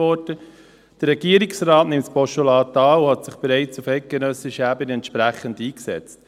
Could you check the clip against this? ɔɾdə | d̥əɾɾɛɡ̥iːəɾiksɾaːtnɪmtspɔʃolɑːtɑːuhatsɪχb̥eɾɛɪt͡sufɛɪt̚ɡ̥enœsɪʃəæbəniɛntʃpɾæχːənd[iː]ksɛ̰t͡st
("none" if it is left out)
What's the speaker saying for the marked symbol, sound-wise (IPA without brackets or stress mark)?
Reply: iː